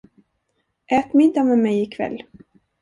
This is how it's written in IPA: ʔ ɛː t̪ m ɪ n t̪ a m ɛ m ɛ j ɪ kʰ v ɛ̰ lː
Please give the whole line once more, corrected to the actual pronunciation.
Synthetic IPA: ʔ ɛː t̪ m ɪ n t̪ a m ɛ m ɛ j ɪ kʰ v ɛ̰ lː